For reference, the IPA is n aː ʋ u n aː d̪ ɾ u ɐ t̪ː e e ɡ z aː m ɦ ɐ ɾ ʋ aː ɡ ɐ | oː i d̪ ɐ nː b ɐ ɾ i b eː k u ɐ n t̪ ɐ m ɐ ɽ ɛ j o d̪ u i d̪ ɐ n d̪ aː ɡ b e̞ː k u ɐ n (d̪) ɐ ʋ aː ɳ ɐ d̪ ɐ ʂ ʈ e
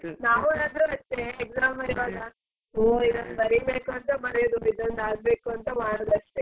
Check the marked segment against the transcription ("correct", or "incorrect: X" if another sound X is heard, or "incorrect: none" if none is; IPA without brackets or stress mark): incorrect: t̪